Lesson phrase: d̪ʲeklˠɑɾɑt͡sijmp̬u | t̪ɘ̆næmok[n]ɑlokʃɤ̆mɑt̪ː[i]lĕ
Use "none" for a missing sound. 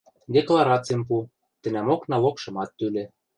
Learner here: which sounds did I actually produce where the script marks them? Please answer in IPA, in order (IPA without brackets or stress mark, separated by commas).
n, y